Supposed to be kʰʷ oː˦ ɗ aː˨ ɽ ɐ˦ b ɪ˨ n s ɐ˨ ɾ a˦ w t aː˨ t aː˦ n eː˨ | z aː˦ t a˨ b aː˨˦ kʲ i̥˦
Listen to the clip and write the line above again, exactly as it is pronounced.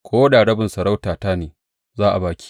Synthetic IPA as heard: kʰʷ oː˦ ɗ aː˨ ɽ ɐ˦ b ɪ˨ n s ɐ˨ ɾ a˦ w t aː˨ t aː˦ n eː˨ | z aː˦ ʔ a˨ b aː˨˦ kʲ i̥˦